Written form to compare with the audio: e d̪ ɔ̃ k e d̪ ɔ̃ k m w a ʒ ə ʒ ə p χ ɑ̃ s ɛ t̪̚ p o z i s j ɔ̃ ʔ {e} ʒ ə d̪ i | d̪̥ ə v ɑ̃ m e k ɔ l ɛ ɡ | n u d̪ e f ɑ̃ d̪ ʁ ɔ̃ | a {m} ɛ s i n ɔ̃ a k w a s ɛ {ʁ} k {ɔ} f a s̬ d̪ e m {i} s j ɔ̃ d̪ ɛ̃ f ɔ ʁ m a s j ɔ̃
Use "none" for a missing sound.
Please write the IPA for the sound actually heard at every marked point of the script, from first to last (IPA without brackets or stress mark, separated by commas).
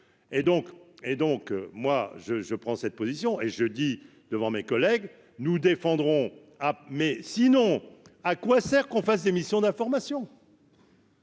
e, m, ʁ, ɔ̃, i